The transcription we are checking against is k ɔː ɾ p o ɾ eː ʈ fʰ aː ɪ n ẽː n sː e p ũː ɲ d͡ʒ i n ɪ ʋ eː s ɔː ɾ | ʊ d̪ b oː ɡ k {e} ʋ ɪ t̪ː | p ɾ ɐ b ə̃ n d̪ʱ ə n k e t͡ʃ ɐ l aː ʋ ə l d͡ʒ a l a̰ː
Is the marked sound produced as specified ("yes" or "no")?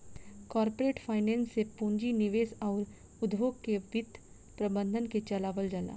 yes